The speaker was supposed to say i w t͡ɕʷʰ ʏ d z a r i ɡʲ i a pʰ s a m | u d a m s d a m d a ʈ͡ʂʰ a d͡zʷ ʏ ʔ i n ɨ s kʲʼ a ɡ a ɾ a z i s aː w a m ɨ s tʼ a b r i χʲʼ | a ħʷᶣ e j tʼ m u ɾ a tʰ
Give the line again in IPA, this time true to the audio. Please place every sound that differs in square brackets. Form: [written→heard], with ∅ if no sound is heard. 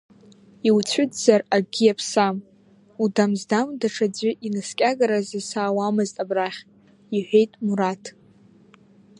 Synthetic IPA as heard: i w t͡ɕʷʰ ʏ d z a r [i→a] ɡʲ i a pʰ s a m | u d a m [s→z] d a m d a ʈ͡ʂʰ a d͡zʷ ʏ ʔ i n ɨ s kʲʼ a ɡ a ɾ a z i s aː w a m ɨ [s→z] tʼ a b r [i→a] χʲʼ | [a→i] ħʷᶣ e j tʼ m u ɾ a tʰ